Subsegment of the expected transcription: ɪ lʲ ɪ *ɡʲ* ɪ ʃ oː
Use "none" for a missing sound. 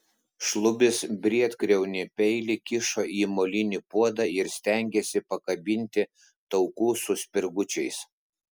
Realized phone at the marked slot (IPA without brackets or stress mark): kʲ